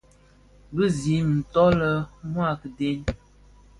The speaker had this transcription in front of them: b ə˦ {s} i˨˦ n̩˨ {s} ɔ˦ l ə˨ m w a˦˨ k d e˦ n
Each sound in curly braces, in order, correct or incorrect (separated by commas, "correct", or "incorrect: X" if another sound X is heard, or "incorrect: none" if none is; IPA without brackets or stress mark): incorrect: z, incorrect: t